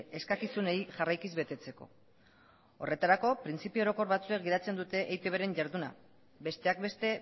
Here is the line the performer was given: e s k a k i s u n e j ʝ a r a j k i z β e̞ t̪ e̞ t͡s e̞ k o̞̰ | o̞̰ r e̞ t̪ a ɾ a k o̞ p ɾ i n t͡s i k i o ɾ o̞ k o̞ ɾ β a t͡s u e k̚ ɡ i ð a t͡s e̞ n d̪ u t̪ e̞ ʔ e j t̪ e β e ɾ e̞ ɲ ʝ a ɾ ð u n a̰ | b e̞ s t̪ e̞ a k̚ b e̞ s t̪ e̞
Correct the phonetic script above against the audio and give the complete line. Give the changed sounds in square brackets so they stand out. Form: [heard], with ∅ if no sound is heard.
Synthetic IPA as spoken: e s k a k i s u n e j ʝ a r a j k i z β e̞ t̪ e̞ t͡s e̞ k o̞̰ | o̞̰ r e̞ t̪ a ɾ a k o̞ p ɾ i n t͡s i [p] i o ɾ o̞ k o̞ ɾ β a t͡s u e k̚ ɡ i ð a t͡s e̞ n d̪ u t̪ e̞ ʔ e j t̪ e β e ɾ e̞ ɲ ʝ a ɾ ð u n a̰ | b e̞ s t̪ e̞ a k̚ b e̞ s t̪ e̞